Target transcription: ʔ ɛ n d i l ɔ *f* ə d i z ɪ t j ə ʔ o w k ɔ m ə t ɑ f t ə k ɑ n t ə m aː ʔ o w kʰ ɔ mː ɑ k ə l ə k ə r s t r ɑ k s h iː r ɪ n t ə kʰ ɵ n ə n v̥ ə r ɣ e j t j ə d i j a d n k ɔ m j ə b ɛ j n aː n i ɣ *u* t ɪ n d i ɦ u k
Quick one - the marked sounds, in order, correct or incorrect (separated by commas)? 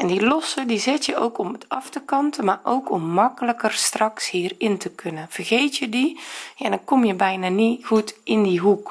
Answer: incorrect, correct